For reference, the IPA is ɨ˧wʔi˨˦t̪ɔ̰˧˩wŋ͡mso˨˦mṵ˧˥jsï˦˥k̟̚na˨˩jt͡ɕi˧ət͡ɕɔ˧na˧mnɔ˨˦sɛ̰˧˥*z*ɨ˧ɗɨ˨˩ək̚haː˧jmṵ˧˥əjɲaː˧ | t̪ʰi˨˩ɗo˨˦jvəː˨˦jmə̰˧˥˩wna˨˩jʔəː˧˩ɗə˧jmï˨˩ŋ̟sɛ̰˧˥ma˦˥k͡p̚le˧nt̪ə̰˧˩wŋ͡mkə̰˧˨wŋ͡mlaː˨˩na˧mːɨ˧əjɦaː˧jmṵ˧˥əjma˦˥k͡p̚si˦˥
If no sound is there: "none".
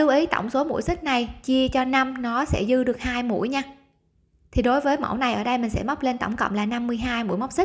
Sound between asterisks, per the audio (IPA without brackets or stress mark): z